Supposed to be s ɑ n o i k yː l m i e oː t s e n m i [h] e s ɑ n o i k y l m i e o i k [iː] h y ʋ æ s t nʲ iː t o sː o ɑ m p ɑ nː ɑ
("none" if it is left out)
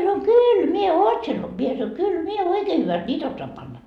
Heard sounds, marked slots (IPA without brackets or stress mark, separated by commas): none, eː